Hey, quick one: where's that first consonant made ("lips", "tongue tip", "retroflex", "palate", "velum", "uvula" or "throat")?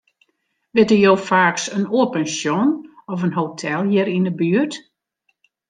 lips